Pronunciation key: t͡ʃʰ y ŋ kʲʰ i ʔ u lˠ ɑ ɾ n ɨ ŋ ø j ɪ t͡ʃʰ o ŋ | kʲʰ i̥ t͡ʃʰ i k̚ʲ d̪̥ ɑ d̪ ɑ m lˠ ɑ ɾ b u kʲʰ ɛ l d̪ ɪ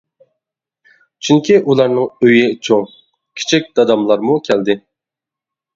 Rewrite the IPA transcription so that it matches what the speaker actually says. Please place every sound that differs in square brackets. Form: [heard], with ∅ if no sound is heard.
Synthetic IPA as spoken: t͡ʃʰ y ŋ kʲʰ i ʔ u lˠ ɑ ɾ n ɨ ŋ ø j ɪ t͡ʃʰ o ŋ | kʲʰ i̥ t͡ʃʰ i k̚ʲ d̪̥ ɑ d̪ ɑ m lˠ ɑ ɾ [m] u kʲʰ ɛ l d̪ ɪ